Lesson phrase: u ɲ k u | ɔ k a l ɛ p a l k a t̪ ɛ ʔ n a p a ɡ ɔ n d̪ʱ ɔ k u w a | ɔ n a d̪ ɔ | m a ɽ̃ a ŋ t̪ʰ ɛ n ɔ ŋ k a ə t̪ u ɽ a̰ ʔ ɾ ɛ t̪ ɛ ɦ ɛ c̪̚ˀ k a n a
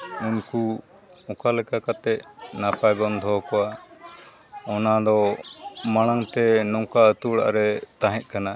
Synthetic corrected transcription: u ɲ k u | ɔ k a l ɛ k a k a t̪ ɛ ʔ n a p a ɡ ɔ n d̪ʱ ɔ k ɔ w a | ɔ n a d̪ ɔ | m a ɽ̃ a ŋ t̪ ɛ n ɔ ŋ k a ə t̪ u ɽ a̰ ʔ ɾ ɛ t̪ a ɦ ɛ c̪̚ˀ k a n a